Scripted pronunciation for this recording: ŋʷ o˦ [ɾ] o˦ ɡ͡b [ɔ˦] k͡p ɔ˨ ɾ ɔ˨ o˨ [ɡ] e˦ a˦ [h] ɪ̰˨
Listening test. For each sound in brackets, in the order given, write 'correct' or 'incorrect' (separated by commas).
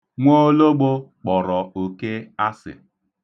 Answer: incorrect, incorrect, incorrect, incorrect